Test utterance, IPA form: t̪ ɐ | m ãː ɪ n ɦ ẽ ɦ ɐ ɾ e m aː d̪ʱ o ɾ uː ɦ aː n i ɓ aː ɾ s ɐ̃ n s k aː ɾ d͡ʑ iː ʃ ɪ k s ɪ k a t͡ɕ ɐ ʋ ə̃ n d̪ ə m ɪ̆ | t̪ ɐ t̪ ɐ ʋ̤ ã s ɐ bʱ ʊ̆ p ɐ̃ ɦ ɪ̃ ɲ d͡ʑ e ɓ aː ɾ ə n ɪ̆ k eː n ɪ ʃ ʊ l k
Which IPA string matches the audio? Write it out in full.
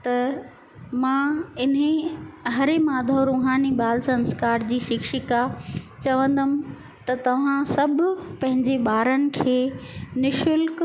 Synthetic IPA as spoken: t̪ ɐ | m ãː ɪ n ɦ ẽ ɦ ɐ ɾ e m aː d̪ʱ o ɾ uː ɦ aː n i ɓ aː l s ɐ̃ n s k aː ɾ d͡ʑ iː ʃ ɪ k ʃ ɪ k a t͡ɕ ɐ ʋ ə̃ n d̪ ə m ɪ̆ | t̪ ɐ t̪ ɐ ʋ̤ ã s ɐ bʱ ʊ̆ p ɐ̃ ɦ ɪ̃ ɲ d͡ʑ e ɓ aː ɾ ə n ɪ̆ kʰ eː n ɪ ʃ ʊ l k